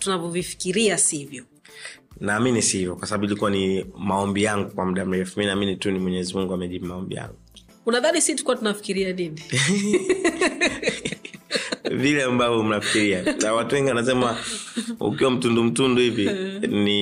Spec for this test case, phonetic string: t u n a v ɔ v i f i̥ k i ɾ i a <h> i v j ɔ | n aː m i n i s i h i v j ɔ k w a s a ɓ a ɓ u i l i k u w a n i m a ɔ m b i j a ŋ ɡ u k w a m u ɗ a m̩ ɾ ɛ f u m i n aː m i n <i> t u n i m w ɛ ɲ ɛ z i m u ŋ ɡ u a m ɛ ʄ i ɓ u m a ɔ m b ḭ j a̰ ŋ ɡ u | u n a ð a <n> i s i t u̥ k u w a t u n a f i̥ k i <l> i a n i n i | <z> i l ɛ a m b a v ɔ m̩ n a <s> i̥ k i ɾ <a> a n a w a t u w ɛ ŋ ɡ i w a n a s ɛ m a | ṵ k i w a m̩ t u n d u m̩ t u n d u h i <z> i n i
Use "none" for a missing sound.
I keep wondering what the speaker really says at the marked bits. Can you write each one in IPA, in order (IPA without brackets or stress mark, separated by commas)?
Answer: s, i, n, ɾ, v, f, i, v